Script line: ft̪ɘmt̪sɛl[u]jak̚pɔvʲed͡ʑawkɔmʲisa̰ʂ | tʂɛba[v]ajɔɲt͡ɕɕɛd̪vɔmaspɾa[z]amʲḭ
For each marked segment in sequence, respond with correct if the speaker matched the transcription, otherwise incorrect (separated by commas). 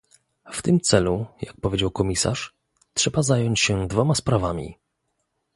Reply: correct, incorrect, incorrect